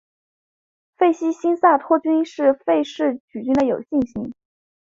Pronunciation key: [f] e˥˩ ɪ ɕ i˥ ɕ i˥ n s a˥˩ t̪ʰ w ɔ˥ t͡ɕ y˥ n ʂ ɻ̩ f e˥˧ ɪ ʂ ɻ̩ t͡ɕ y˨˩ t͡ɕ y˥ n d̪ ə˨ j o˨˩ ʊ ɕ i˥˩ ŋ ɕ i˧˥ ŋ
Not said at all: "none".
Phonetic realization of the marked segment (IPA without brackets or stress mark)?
f